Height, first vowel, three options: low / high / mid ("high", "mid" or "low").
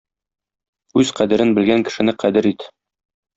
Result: high